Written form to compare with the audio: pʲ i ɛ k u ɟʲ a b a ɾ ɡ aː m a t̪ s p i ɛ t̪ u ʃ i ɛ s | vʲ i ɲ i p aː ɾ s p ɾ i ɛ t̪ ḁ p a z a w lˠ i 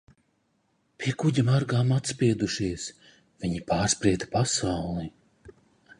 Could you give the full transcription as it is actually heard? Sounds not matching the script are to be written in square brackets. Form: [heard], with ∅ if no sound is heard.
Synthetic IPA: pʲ i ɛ k u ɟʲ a [m] a ɾ ɡ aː m a t̪ s p i ɛ [d̪] u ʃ i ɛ s | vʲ i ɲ i p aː ɾ s p ɾ i ɛ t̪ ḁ p a [s] a w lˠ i

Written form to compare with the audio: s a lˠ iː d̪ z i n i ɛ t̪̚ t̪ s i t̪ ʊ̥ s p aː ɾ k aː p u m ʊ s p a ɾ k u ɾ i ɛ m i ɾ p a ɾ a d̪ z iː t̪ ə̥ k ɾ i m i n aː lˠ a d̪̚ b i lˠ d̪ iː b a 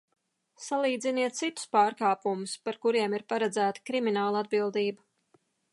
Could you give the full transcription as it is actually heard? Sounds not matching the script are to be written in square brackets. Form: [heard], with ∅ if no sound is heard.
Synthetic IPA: s a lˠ iː d̪ z i n i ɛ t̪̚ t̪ s i t̪ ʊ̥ s p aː ɾ k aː p u m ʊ s p a ɾ k u ɾ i ɛ m i ɾ p a ɾ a d̪ z [æː] t̪ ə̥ k ɾ i m i n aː lˠ a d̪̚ b i lˠ d̪ iː b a

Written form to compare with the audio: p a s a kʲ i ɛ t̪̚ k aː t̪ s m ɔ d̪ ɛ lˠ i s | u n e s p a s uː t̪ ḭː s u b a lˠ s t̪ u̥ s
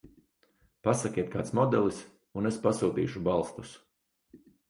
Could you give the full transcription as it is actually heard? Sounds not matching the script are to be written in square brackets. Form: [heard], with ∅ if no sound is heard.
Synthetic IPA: p a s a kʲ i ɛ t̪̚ k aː t̪ s m ɔ d̪ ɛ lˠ i s | u n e s p a s uː t̪ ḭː [ʃ] u b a lˠ s t̪ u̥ s

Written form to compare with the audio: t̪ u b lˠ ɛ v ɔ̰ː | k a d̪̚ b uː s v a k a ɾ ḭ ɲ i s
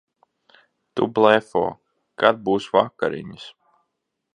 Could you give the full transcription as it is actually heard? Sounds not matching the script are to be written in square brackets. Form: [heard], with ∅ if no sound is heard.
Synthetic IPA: t̪ u b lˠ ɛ [f] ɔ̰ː | k a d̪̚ b uː s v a k a ɾ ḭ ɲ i s

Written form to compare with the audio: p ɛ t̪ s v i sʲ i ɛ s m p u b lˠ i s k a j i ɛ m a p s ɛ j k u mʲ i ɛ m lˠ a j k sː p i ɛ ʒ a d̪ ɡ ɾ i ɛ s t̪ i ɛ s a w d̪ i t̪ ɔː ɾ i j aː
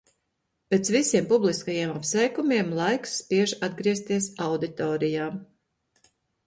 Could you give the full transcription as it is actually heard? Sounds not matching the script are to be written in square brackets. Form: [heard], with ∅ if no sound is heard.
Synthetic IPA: p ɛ t̪ s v i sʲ i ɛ [∅] m p u b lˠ i s k a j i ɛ m a p s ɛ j k u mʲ i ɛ m lˠ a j k sː p i ɛ ʒ a d̪ ɡ ɾ i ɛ s t̪ i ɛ s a w d̪ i t̪ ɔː ɾ i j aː

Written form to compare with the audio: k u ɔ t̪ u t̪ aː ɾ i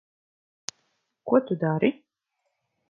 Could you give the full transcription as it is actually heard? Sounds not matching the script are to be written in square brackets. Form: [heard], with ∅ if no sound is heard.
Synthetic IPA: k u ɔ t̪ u [d̪] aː ɾ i

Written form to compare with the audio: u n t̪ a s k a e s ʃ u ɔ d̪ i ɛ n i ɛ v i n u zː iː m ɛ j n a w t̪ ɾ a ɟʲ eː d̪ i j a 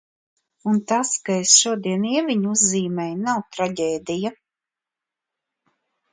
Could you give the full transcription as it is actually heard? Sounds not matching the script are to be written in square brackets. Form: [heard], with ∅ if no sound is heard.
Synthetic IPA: u n t̪ a s k a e s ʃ u ɔ d̪ i ɛ n i ɛ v i [ɲ] u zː iː m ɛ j n a w t̪ ɾ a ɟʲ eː d̪ i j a

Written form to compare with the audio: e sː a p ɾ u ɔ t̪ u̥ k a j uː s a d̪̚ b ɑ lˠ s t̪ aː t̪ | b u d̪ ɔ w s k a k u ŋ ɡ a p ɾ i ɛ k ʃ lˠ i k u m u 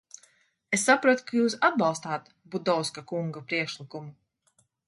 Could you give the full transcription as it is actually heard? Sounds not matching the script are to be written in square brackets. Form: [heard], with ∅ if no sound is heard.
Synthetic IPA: e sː a p ɾ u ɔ t̪ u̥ k a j uː s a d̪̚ b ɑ lˠ s t̪ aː t̪ | b u d̪ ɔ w s k a k u ŋ ɡ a p ɾ i ɛ k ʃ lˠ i k u m u

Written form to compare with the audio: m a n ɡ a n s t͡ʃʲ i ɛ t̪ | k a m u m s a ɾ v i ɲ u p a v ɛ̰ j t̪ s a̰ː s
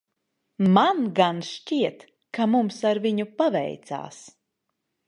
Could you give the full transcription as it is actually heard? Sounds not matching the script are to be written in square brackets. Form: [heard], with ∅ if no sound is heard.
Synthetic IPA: m a n ɡ a n [ʃ] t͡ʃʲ i ɛ t̪ | k a m u m s a ɾ v i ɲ u p a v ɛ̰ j t̪ s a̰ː s

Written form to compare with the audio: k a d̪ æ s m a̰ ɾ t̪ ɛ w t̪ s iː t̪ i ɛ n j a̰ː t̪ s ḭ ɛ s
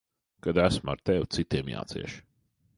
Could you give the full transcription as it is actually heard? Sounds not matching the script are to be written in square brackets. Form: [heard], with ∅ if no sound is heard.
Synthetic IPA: k a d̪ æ s m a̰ ɾ t̪ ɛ w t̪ s [i] t̪ i ɛ [m] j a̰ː t̪ s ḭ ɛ [ʃ]

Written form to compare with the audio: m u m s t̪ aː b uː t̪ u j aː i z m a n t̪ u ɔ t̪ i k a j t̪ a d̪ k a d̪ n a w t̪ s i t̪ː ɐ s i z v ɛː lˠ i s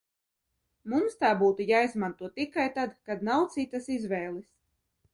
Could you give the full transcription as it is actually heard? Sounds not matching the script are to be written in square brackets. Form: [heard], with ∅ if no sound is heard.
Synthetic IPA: m u m s t̪ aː b uː t̪ u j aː i z m a n t̪ u ɔ t̪ i k a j t̪ a d̪ k a d̪ n a w t̪ s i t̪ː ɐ s i z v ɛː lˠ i s

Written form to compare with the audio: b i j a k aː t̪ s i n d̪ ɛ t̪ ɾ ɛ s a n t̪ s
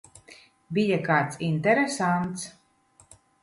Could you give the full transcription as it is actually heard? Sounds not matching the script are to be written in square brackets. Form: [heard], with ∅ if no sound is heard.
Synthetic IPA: b i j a k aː t̪ s i n [t̪] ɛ [∅] ɾ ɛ s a n t̪ s

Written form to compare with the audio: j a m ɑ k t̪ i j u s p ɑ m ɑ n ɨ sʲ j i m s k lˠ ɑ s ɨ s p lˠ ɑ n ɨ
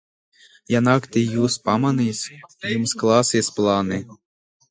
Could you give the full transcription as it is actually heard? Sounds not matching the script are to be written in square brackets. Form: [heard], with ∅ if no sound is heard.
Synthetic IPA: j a [n] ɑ k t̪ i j u s p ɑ m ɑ n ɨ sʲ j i m s k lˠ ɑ s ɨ s p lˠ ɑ n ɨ

